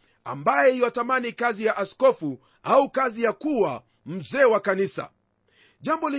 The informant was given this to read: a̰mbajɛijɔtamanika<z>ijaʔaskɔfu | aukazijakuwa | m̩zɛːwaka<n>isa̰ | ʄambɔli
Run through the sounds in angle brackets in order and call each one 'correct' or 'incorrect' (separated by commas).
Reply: correct, correct